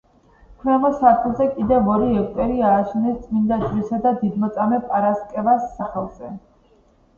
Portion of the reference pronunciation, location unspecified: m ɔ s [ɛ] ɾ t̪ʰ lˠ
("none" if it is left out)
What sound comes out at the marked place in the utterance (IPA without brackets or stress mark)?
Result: a